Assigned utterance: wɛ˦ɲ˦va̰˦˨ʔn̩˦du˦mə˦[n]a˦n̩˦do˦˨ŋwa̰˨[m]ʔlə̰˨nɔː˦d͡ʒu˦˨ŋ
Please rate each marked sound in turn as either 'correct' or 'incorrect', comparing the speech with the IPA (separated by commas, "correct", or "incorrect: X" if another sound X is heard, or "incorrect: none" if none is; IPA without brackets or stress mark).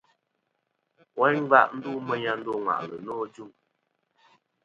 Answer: incorrect: ɲ, incorrect: none